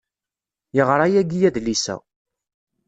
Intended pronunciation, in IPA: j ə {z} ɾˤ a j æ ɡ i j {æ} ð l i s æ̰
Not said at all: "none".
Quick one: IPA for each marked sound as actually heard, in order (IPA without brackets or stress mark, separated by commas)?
ʁ, æ